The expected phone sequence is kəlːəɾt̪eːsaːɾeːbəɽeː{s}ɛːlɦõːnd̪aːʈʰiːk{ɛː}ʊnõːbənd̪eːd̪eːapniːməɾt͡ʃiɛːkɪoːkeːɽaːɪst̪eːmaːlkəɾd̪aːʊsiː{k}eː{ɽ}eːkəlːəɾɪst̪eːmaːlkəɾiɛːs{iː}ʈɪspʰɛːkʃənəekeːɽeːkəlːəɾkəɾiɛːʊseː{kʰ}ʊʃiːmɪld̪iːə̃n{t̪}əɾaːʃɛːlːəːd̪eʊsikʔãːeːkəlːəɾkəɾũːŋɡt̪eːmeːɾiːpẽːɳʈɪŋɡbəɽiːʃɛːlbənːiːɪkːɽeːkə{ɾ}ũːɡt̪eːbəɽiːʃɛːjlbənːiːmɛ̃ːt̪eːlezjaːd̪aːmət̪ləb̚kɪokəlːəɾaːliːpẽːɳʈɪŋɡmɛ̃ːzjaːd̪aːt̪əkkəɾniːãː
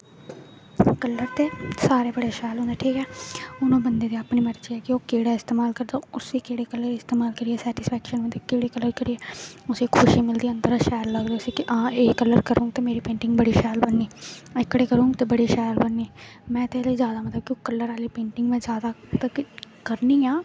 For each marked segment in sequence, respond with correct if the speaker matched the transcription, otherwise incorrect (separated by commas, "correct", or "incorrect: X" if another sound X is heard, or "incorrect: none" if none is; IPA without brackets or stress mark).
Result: incorrect: ʃ, correct, correct, correct, incorrect: ɛː, correct, incorrect: d̪, correct